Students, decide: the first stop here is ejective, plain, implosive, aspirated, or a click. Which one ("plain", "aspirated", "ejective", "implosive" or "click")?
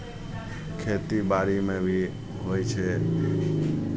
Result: aspirated